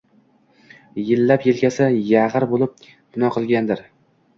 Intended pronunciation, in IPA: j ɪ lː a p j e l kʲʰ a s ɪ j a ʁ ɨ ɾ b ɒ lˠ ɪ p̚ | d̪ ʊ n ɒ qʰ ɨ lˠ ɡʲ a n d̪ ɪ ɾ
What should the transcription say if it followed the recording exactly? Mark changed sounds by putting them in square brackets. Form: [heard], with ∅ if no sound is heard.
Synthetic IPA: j ɪ lː a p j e l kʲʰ a s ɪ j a ʁ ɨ ɾ b [o] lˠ ɪ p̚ | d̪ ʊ n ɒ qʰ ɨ lˠ ɡʲ a n d̪ ɪ ɾ